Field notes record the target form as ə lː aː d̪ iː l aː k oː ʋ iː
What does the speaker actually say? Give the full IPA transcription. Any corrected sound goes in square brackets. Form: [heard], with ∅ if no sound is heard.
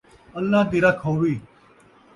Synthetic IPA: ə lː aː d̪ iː [ɾ] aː [kʰ] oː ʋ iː